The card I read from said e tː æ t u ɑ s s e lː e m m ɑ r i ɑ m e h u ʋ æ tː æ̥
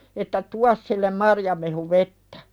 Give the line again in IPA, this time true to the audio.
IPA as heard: e tː æ t u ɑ s s i lː e m m ɑ r j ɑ m e h u ʋ e tː æ̥